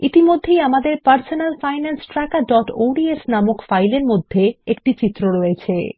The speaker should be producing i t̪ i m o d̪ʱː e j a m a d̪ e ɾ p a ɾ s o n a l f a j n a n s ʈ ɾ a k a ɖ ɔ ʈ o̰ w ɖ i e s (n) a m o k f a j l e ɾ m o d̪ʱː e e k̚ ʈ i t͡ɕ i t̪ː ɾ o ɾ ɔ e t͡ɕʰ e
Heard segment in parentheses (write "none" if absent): n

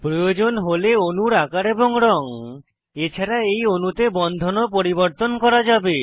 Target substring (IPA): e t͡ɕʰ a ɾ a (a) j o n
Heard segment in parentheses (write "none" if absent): e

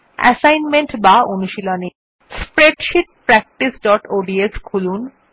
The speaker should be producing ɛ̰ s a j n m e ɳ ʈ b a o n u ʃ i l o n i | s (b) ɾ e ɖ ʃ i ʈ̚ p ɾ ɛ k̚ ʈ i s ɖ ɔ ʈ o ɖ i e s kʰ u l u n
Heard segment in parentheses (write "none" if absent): p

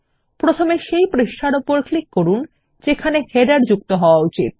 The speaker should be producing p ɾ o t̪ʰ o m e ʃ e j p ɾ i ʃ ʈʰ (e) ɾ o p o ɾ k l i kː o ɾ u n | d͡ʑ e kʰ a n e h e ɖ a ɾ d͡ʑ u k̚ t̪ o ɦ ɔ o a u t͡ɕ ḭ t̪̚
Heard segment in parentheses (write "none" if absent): a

